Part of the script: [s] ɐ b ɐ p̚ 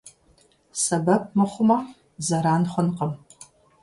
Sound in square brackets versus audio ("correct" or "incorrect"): correct